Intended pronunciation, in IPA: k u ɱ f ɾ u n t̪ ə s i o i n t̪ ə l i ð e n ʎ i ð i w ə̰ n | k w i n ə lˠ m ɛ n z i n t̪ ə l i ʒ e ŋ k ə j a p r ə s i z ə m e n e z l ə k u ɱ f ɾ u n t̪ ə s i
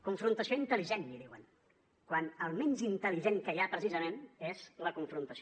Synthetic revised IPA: k u ɱ f ɾ u n t̪ ə s i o i n t̪ ə l i ʒ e n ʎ i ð i w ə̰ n | k w a n ə lˠ m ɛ n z i n t̪ ə l i ʒ e ŋ k ə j a p ɾ ə s i z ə m e n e z l ə k u ɱ f ɾ u n t̪ ə s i